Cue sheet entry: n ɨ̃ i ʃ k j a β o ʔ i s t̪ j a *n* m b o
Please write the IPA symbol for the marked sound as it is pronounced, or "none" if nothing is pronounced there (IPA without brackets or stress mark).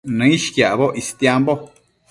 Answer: none